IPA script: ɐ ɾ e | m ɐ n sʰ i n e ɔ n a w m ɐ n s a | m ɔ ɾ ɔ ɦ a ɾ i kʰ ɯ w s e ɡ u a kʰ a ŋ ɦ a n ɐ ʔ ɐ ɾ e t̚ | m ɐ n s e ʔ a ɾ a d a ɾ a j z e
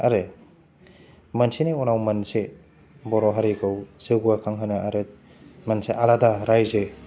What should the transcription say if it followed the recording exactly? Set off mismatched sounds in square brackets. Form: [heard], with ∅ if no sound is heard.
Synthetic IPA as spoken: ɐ ɾ e | m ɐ n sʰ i n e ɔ n a w m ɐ n s [e] | [b] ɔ ɾ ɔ ɦ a ɾ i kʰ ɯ w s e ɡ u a kʰ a ŋ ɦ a n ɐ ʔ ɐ ɾ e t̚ | m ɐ n s e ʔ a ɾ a d a ɾ a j z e

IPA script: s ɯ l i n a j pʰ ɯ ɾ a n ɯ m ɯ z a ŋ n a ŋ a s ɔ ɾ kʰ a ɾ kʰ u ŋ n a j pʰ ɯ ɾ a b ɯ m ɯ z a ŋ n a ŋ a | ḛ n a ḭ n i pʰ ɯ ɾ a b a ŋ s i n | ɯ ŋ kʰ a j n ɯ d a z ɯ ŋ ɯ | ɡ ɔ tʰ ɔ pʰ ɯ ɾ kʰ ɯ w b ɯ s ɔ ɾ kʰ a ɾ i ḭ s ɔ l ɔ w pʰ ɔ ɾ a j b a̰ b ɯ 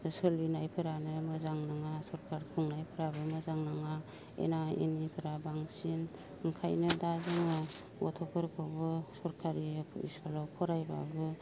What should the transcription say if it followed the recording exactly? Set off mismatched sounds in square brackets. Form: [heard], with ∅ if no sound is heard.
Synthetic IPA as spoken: s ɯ l i n a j pʰ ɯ ɾ a n ɯ m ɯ z a ŋ n a ŋ a s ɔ ɾ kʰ a ɾ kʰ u ŋ n a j pʰ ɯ ɾ a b ɯ m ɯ z a ŋ n a ŋ a | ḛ n a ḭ n i pʰ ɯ ɾ a b a ŋ s i n | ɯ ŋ kʰ a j n ɯ d a z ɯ ŋ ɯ | ɡ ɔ tʰ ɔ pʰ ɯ ɾ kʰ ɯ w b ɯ s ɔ ɾ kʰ a ɾ i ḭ s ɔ l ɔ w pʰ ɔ ɾ a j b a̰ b ɯ

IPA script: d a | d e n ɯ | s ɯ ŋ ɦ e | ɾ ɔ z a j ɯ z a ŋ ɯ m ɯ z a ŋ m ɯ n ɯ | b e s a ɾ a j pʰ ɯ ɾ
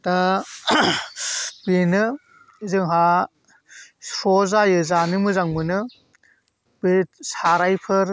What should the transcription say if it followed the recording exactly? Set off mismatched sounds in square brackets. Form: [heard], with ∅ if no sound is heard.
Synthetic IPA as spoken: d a | [b] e n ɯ | [z] ɯ ŋ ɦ [a] | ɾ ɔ z a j ɯ z a [n] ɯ m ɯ z a ŋ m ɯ n ɯ | b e s a ɾ a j pʰ ɯ ɾ

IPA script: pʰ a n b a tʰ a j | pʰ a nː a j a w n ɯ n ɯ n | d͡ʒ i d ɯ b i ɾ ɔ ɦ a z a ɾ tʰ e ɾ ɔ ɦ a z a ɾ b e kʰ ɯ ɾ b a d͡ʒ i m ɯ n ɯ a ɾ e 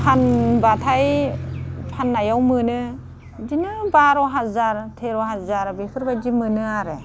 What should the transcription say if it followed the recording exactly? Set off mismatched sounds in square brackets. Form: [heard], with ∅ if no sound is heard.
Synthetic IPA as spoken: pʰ a n b a tʰ a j | pʰ a nː a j a w [m] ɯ n ɯ [∅] | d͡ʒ i [n] ɯ b [a] ɾ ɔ ɦ a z a ɾ tʰ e ɾ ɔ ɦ a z a ɾ b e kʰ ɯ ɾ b a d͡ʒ i m ɯ n ɯ a ɾ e

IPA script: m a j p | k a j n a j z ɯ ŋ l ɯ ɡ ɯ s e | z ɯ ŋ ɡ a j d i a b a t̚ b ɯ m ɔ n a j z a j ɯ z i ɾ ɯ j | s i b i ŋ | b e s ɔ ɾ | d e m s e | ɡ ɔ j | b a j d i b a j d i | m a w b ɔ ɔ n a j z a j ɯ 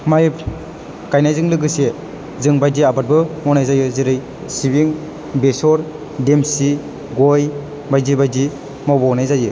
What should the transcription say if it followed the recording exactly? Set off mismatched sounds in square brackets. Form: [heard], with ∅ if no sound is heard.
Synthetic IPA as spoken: m a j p | k a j n a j z ɯ ŋ l ɯ ɡ ɯ s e | z ɯ ŋ [b] a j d i a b a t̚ b ɯ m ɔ n a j z a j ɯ z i ɾ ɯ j | s i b i ŋ | b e s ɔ ɾ | d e m s [i] | ɡ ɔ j | b a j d i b a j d i | m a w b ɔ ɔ n a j z a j ɯ

